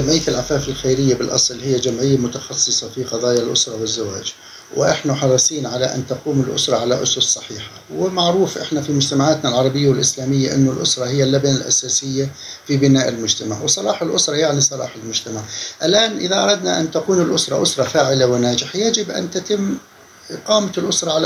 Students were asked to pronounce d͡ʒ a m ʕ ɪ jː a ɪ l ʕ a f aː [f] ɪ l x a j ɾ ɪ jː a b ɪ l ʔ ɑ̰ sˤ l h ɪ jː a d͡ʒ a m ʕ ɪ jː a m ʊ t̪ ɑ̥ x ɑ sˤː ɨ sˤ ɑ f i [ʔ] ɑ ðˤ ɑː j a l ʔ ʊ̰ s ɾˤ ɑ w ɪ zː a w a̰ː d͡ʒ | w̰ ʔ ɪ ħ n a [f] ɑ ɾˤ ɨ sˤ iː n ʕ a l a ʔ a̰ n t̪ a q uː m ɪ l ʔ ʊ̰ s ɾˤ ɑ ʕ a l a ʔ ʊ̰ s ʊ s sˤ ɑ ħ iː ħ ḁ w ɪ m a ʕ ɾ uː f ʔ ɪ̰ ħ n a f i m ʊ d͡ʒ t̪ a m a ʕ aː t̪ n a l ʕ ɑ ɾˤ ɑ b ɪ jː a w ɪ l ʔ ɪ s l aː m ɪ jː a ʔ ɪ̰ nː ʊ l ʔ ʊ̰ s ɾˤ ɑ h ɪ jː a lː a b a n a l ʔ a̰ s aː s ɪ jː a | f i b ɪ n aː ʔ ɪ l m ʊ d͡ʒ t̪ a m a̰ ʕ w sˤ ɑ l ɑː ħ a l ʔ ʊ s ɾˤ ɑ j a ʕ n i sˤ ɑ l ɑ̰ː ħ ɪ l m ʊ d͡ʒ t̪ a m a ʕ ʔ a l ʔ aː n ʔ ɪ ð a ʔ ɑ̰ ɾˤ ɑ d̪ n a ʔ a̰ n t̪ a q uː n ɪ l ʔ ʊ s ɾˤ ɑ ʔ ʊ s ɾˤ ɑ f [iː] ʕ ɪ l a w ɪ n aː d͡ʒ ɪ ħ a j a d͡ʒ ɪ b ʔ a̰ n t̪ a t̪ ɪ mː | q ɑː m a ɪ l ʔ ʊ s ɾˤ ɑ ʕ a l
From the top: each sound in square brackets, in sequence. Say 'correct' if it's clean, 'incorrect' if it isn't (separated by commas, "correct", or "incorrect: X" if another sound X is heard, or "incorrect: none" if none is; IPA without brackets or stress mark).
correct, incorrect: q, incorrect: ħ, incorrect: aː